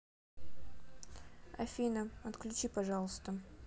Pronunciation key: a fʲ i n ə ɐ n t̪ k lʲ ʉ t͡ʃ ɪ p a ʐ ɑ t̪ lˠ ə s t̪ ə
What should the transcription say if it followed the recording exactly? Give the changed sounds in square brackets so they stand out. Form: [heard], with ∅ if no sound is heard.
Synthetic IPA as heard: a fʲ i n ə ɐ [∅] t̪ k lʲ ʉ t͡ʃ [i] p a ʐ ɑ [∅] lˠ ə s t̪ ə